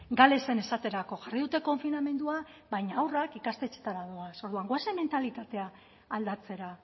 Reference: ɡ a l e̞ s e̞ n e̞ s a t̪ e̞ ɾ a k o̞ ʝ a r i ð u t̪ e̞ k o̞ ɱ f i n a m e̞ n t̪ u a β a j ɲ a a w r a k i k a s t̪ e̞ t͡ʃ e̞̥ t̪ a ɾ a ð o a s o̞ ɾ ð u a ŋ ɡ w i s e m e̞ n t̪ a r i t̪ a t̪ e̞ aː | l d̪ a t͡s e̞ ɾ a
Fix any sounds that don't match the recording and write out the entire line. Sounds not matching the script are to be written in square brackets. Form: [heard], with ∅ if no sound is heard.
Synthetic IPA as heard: ɡ a l e̞ s e̞ n e̞ s a t̪ e̞ ɾ a k o̞ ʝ a r i ð u t̪ e̞ k o̞ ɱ f i n a m e̞ n [d̪] u a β a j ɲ a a w r a k i k a s t̪ e̞ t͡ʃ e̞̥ t̪ a ɾ a ð o a s o̞ ɾ ð u a ŋ ɡ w [a] s e m e̞ n t̪ a [l] i t̪ a t̪ e̞ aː | l d̪ a t͡s e̞ ɾ a